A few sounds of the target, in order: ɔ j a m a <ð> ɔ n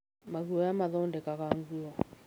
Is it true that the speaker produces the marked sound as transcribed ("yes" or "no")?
yes